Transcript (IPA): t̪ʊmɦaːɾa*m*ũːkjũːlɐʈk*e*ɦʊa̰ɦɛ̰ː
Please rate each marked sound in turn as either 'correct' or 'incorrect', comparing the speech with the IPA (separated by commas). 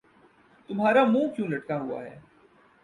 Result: correct, incorrect